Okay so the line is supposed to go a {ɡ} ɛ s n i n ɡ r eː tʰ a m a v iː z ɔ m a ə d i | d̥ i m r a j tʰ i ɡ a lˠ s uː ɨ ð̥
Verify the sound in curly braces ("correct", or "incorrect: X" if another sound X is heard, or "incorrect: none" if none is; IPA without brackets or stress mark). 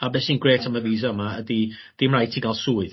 incorrect: b